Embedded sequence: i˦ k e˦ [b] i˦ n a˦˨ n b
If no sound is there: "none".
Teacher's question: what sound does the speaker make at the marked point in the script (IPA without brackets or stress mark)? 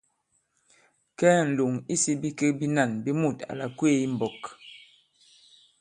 b